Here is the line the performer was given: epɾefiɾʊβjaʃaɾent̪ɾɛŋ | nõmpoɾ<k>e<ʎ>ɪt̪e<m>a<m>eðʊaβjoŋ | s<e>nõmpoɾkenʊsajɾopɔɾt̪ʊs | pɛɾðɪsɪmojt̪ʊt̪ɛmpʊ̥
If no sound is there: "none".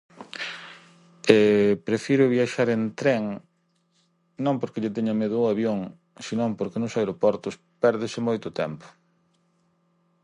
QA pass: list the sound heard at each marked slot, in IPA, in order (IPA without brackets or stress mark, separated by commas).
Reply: k, ʎ, ɲ, m, i